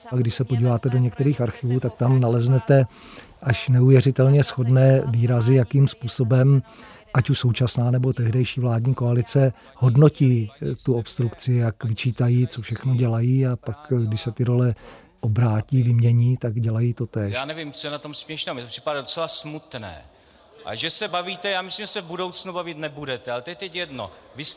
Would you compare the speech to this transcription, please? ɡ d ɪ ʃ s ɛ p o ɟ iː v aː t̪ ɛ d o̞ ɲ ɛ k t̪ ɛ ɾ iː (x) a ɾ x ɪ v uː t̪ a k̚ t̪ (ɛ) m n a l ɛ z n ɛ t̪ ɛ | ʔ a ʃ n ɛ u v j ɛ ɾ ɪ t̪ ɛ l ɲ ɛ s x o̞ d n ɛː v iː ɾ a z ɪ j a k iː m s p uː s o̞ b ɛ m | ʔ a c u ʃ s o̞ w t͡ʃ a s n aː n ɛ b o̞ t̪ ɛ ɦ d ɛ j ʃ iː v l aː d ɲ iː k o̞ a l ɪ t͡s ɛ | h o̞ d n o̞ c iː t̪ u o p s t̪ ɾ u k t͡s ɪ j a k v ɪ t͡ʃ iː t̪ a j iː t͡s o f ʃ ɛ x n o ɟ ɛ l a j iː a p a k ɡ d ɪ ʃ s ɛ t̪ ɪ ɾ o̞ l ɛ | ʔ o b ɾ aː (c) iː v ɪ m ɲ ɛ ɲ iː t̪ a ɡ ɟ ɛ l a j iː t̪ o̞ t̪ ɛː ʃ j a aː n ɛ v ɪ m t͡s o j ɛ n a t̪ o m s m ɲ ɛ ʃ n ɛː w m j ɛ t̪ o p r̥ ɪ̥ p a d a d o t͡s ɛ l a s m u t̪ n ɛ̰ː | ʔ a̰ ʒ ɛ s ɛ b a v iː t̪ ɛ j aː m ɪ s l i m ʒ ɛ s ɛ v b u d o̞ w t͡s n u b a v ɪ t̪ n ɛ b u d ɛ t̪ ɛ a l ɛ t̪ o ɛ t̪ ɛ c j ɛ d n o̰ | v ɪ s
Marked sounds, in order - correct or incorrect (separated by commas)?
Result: correct, incorrect, correct